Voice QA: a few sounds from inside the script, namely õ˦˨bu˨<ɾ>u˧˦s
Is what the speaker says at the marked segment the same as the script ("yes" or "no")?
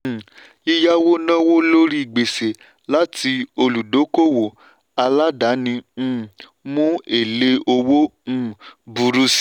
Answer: yes